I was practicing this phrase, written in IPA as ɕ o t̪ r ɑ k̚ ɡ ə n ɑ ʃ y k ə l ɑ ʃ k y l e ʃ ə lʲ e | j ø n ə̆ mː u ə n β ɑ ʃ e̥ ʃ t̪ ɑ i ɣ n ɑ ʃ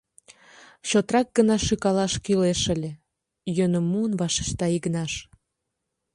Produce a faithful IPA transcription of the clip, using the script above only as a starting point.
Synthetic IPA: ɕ o t̪ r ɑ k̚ ɡ ə n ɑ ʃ y k ɑ l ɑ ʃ k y l e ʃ ə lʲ e | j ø n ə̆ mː u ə n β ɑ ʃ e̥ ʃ t̪ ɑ i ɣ n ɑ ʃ